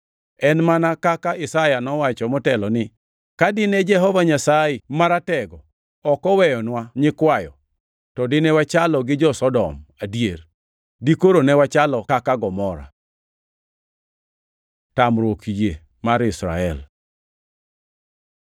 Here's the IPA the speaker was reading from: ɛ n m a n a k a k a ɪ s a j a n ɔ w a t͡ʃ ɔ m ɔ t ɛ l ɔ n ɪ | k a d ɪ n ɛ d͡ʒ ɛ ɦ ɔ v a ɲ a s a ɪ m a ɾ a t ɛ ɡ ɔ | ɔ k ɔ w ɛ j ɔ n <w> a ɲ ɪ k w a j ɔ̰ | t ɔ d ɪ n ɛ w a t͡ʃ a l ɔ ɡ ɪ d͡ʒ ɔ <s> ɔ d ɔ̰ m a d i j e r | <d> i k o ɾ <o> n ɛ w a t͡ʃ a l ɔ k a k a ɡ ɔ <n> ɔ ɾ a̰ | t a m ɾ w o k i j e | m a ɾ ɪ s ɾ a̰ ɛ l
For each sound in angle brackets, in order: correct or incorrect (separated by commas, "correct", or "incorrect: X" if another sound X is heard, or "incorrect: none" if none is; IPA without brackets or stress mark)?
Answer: correct, correct, correct, correct, incorrect: m